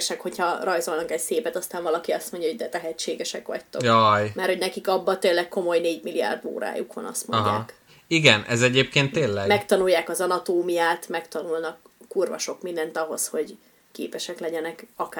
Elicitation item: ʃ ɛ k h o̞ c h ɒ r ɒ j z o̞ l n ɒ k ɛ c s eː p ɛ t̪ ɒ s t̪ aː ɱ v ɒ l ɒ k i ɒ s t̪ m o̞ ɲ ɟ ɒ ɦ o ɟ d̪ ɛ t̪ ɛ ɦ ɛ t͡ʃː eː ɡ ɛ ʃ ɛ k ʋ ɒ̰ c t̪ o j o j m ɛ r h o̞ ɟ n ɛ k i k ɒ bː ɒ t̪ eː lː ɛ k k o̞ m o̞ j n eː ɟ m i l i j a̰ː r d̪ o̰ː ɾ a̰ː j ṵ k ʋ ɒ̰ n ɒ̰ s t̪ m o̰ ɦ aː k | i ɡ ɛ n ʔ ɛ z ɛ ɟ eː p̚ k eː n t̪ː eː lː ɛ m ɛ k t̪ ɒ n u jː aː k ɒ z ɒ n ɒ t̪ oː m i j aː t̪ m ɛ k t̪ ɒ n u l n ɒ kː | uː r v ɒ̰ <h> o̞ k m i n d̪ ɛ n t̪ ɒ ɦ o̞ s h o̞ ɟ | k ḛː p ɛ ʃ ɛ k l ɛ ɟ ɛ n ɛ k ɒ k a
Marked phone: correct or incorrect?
incorrect